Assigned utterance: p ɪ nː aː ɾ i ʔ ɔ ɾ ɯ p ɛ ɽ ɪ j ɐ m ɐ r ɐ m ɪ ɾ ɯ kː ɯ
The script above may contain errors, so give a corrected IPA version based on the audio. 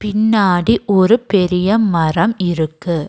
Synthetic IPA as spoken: p ɪ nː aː ɽ i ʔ ɔ ɾ ɯ p ɛ ɾ ɪ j ɐ m ɐ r ɐ m ɪ ɾ ɯ kː ɯ

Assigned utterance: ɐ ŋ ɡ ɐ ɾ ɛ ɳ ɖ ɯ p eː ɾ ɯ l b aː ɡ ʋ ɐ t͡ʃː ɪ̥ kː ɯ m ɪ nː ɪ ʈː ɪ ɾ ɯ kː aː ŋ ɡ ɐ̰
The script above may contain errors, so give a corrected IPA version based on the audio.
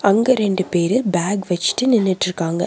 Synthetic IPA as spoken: ɐ ŋ ɡ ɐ ɾ ɛ ɳ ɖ ɯ p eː ɾ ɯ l b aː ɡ ʋ ɐ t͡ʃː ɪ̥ ʈː ɯ n ɪ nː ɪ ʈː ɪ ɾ ɯ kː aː ŋ ɡ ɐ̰

